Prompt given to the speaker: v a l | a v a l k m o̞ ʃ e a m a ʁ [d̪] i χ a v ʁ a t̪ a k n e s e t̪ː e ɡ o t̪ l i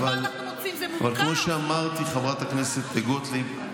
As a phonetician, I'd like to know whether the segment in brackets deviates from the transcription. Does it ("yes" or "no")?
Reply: yes